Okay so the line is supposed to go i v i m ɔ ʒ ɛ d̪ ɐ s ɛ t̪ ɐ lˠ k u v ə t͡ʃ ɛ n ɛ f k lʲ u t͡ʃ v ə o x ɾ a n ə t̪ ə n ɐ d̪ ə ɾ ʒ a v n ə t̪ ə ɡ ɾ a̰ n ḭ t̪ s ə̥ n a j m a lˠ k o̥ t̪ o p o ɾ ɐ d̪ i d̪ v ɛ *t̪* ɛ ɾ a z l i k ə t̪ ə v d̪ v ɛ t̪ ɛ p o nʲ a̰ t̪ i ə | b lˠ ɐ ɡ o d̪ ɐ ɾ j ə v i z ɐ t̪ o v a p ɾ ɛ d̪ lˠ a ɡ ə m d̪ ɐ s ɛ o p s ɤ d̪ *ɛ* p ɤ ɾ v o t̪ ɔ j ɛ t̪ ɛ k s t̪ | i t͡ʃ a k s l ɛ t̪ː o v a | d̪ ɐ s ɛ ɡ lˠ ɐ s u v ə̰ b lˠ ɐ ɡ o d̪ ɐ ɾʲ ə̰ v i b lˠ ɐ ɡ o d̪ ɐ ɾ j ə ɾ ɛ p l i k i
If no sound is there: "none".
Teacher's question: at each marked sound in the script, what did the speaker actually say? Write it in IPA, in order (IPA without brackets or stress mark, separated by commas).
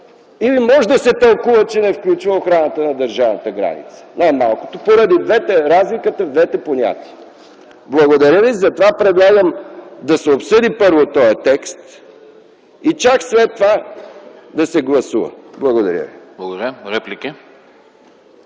t̪, i